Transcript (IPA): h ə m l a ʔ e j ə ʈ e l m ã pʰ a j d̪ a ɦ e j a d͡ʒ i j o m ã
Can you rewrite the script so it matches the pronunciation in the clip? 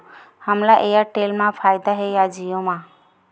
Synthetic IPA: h ə m l a ʔ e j a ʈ e l m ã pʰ a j d̪ a ɦ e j a d͡ʒ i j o m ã